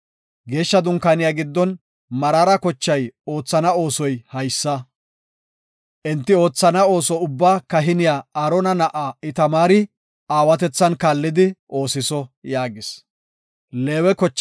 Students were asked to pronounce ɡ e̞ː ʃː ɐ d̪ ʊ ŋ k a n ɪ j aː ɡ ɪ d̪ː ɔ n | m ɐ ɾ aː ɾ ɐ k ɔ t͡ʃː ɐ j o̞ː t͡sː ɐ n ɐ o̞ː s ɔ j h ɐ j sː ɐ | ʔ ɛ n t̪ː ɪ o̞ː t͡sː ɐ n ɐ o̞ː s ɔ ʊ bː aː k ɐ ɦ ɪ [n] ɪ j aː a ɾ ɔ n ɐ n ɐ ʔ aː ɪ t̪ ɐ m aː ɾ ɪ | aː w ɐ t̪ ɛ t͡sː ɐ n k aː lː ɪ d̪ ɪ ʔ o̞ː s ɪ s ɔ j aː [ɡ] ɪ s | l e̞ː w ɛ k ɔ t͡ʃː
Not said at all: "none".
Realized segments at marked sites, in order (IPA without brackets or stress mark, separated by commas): n, ɡ